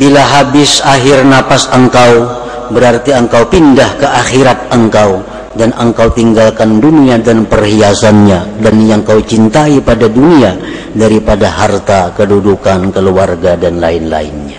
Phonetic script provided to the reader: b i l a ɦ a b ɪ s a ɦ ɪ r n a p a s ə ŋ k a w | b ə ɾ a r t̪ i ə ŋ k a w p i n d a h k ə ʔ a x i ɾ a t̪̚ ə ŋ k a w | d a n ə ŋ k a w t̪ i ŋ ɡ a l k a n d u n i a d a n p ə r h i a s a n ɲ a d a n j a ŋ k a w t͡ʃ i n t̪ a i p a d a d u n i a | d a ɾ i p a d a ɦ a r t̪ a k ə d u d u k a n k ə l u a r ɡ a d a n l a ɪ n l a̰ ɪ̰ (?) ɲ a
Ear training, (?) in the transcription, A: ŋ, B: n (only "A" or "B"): B